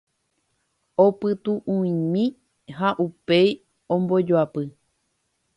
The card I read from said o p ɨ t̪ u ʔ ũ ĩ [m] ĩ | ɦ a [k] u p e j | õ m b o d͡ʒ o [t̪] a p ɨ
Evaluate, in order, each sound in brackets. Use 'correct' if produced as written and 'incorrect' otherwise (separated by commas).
correct, incorrect, incorrect